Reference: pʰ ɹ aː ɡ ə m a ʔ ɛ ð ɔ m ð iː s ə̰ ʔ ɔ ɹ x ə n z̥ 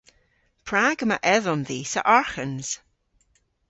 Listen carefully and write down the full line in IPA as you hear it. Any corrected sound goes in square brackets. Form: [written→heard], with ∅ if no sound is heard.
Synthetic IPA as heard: pʰ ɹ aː ɡ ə m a ʔ ɛ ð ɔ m ð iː s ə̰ ʔ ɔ ɹ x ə n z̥